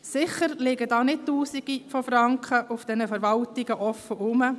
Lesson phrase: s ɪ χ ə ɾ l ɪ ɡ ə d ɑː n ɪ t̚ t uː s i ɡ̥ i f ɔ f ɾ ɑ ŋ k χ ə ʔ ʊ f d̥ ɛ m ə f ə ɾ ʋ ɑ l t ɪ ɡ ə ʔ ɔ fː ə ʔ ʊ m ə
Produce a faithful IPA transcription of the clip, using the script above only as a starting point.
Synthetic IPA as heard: s ɪ χ ə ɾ l ɪ ɡ ə d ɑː n ɪ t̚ t uː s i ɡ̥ i f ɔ f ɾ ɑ ŋ k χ ə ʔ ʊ f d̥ ɛ n ə f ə ɾ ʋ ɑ l t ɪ ɡ ə ʔ ɔ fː ə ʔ ʊ m ə